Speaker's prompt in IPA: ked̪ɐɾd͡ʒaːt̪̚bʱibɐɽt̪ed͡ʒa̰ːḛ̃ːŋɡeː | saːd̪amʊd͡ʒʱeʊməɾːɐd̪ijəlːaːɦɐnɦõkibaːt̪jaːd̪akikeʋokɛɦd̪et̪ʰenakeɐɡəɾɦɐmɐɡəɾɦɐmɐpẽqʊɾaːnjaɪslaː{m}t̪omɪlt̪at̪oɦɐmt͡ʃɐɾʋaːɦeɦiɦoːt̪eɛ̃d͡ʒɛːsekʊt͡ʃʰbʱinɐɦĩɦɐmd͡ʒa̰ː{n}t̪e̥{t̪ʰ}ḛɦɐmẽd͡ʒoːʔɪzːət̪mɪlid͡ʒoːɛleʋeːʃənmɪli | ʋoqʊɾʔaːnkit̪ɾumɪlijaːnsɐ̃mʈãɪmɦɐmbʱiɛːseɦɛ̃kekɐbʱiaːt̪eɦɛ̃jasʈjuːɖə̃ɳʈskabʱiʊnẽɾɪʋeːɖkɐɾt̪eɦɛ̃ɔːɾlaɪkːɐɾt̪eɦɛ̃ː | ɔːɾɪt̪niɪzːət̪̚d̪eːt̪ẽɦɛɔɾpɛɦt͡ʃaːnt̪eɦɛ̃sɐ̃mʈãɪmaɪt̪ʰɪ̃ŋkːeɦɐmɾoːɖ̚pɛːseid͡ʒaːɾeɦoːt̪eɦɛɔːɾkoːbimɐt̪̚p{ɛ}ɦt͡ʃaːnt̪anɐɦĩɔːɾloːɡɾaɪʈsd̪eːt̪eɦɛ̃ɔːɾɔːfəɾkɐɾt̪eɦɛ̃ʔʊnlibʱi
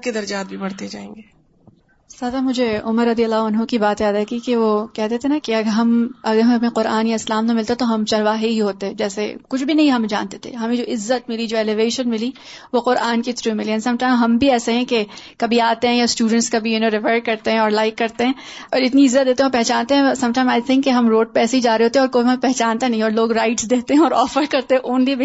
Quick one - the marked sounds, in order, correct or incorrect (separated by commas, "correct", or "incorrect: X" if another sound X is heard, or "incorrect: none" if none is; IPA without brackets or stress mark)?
correct, correct, correct, correct